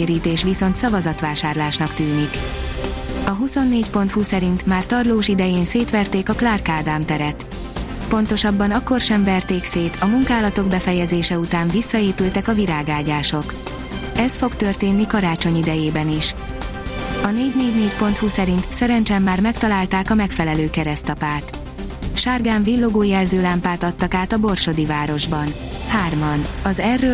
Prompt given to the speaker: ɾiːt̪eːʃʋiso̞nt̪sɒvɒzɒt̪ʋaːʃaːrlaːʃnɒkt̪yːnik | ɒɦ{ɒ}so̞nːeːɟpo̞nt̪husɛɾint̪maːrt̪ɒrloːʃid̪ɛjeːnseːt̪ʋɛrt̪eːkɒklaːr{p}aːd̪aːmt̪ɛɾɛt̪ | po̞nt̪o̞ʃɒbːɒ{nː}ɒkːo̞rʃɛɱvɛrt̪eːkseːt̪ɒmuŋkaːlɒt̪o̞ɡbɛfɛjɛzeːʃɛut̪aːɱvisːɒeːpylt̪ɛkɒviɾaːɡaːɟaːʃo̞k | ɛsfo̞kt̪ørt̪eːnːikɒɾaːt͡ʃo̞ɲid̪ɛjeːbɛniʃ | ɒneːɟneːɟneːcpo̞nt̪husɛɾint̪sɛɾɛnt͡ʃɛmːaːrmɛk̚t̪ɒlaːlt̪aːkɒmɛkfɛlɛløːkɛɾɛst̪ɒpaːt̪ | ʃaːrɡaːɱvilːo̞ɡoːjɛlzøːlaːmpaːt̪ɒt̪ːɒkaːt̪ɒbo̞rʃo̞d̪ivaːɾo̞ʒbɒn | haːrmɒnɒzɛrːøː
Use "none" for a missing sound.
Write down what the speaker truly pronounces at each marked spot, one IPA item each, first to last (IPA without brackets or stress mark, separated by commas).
u, k, n